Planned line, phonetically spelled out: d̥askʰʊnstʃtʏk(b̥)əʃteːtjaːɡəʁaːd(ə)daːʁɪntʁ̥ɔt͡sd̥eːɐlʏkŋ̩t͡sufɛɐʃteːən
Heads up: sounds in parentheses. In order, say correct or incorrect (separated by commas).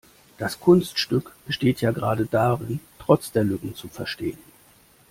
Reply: correct, correct